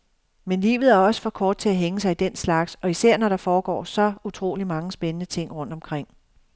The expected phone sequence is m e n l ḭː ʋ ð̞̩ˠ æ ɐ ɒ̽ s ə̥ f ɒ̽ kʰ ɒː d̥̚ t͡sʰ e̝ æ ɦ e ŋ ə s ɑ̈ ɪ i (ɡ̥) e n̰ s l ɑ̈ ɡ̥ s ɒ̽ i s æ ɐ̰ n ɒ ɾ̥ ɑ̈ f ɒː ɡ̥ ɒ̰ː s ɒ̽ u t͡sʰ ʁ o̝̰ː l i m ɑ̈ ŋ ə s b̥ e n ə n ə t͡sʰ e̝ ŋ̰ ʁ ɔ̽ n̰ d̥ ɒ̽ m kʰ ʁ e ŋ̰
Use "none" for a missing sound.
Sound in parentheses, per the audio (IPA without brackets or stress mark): d̥